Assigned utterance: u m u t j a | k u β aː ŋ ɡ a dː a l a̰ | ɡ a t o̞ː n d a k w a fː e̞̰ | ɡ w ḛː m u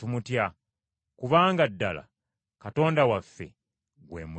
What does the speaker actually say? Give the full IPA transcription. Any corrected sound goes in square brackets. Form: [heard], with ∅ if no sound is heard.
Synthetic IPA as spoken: u m u t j a | k u β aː ŋ ɡ a dː a l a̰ | [k] a t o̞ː n d a [∅] w a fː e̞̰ | ɡ w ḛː m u